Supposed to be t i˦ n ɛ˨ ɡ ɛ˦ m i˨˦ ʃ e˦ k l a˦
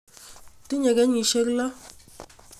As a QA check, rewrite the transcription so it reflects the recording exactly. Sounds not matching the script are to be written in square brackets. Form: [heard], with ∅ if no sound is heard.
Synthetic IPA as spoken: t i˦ [ɲ] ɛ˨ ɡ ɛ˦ [ɲ] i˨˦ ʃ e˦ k l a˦

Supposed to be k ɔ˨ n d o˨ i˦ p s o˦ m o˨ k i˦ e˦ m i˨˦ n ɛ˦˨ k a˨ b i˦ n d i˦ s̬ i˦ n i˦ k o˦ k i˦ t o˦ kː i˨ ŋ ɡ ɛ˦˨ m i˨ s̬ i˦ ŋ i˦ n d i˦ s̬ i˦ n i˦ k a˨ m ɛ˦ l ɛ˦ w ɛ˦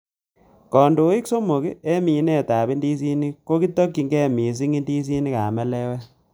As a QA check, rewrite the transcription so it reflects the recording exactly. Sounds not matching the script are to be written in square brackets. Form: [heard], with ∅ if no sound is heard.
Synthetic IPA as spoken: k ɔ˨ n d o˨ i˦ [k] s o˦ m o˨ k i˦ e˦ m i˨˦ n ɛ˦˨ [t] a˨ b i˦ n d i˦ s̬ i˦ n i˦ k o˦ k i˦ t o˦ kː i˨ ŋ ɡ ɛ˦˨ m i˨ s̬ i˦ ŋ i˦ n d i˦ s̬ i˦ n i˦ k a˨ m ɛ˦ l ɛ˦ w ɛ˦

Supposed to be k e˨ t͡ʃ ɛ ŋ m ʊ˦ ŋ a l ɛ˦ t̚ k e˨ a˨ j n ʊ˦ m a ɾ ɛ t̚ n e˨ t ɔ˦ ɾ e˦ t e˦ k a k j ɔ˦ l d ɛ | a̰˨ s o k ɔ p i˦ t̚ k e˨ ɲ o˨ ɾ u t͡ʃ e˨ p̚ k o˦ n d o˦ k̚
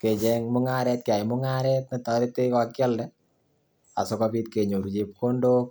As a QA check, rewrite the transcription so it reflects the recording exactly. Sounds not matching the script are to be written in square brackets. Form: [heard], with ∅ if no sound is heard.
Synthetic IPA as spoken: k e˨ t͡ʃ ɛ ŋ m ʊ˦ ŋ a [ɾ] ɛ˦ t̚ k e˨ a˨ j [m] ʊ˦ [ŋ] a ɾ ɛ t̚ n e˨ t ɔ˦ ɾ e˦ t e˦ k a k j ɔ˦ l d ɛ | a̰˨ s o k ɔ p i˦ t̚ k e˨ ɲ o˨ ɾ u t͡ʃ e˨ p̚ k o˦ n d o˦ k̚

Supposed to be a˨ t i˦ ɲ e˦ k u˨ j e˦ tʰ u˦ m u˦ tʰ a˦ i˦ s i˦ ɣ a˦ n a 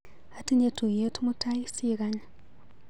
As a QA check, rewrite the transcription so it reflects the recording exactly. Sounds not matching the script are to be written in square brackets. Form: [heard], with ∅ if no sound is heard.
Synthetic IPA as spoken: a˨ t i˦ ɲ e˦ [t] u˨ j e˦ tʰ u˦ m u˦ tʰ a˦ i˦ s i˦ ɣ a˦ [ɲ] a

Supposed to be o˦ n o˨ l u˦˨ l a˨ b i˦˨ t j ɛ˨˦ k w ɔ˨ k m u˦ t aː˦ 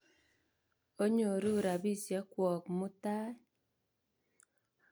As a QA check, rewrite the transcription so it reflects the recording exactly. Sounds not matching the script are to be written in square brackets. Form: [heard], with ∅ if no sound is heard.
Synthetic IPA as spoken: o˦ [ɲ] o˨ [ɾ] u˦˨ [ɾ] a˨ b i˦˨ [s] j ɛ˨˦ k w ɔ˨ k m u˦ t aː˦

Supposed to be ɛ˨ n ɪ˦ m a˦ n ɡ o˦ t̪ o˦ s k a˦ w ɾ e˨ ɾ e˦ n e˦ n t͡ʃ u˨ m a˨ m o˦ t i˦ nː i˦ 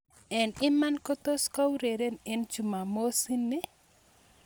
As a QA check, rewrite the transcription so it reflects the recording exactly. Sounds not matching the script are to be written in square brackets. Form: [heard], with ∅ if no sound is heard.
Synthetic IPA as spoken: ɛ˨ n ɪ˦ m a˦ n [k] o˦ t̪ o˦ s k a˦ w ɾ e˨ ɾ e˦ n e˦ n t͡ʃ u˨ m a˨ m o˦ [s] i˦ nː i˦

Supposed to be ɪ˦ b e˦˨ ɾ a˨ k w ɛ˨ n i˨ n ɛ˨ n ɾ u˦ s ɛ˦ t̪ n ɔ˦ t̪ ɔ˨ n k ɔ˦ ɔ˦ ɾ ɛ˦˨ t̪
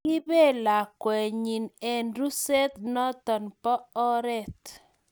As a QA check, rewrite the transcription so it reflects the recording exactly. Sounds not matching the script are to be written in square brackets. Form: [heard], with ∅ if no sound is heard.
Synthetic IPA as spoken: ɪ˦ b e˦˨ [l] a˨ k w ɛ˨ [ɲ] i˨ n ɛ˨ n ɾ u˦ s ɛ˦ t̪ n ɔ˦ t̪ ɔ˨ n [p] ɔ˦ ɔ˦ ɾ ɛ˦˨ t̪

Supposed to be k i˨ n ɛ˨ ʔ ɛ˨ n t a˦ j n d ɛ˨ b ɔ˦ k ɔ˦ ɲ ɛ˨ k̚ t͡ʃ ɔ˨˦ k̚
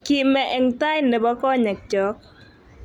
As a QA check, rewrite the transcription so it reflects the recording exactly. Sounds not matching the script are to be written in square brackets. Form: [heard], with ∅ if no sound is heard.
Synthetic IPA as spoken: k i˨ [m] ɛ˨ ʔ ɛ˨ [ŋ] t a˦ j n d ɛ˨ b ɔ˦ k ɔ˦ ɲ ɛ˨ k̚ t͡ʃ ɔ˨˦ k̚

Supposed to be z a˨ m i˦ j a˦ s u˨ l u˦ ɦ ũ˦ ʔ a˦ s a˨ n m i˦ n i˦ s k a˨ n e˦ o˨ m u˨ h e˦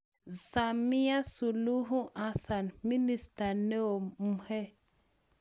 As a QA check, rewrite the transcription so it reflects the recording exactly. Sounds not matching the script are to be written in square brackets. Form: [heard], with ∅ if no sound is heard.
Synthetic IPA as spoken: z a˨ m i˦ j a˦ s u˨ l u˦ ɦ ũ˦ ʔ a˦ s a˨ n m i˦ n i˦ s [t] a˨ n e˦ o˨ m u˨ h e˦

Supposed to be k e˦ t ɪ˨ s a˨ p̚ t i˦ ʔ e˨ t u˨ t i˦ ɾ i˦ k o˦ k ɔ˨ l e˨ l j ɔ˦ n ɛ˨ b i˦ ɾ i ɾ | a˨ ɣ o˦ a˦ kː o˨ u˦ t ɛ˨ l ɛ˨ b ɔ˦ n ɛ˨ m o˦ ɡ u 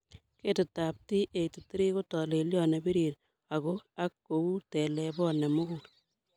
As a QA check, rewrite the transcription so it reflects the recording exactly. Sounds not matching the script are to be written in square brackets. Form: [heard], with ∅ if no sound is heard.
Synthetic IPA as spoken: k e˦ t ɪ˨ [t] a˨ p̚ t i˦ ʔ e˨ t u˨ t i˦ ɾ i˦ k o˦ [t] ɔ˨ l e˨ l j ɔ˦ n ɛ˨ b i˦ ɾ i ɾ | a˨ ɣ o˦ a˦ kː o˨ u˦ t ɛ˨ l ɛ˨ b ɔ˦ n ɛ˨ m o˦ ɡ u

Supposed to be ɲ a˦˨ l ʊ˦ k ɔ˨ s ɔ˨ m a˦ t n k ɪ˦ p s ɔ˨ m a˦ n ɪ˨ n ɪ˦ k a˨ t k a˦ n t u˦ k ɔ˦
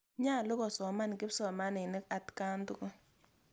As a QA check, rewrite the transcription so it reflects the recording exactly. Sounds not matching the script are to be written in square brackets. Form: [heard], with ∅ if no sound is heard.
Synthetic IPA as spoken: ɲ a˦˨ l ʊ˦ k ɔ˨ s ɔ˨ m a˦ [∅] n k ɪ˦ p s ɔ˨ m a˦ n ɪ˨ n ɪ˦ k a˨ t k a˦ n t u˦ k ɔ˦

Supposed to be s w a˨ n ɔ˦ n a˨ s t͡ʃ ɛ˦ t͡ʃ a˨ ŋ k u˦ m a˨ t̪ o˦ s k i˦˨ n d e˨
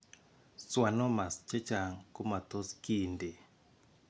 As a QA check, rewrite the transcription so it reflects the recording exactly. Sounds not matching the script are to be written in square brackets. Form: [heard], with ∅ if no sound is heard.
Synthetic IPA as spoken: s w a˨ n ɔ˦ [m] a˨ s t͡ʃ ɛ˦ t͡ʃ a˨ ŋ k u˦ m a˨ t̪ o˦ s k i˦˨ n d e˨

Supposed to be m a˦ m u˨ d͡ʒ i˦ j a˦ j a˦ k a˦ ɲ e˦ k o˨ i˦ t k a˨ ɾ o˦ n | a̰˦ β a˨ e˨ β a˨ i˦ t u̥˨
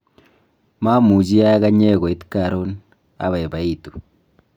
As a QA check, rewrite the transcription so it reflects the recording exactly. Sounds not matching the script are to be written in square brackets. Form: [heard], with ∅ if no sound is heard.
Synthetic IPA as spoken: m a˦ m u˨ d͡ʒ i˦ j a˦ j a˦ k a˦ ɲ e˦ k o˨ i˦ t k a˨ ɾ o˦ n | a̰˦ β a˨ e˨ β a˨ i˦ t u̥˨

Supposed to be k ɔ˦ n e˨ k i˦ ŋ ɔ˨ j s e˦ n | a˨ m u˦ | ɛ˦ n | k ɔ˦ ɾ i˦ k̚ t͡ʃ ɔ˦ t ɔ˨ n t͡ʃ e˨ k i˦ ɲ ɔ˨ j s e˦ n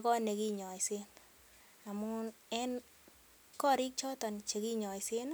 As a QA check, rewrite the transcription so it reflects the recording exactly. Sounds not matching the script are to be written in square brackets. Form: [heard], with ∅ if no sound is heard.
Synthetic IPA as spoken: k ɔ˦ n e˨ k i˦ [ɲ] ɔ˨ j s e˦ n | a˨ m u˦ | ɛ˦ n | k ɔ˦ ɾ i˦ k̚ t͡ʃ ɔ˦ t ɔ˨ n t͡ʃ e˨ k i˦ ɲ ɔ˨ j s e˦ n

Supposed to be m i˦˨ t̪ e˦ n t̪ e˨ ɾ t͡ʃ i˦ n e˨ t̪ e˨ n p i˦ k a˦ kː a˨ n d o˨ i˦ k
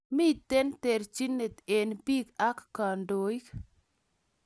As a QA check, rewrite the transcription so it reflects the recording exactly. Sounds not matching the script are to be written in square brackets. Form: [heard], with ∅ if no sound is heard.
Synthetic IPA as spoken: m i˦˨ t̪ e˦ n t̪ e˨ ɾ t͡ʃ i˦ n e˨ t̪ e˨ n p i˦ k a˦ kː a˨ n d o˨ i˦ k

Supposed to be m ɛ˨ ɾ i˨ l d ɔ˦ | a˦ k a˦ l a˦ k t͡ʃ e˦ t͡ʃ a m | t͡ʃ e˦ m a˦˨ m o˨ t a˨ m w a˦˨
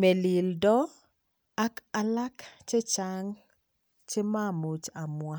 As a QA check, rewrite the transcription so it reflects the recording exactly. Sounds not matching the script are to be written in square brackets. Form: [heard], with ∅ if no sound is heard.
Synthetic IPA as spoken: m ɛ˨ [l] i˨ l d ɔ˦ | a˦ k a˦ l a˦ k t͡ʃ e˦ t͡ʃ a [ŋ] | t͡ʃ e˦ m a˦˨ m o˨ [t͡ʃ] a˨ m w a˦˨

